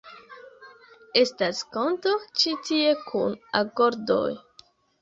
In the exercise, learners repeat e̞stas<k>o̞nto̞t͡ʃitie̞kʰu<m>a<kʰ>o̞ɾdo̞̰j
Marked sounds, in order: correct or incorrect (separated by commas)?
correct, incorrect, incorrect